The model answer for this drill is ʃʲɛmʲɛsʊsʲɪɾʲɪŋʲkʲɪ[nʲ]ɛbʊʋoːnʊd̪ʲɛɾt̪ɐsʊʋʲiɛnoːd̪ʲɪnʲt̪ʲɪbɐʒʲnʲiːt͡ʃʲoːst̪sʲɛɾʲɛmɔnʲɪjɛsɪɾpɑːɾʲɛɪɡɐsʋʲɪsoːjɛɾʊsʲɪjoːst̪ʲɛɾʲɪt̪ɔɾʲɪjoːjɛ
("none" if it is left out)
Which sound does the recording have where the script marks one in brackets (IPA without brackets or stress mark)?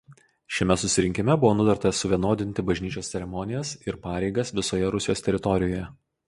mʲ